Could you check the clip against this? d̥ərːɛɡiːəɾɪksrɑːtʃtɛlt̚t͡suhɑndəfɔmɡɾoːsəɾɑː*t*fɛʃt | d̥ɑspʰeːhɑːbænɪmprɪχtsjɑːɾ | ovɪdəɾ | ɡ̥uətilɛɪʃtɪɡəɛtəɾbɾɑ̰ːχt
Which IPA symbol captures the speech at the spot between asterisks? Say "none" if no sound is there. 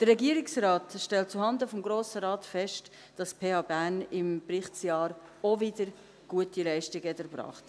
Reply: t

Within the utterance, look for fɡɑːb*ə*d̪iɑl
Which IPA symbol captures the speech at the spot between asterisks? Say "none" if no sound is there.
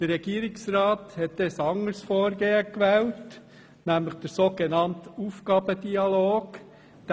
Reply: ə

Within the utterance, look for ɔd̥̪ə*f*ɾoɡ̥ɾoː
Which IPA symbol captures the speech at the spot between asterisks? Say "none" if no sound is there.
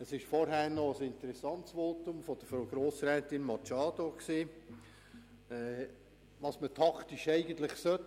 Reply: f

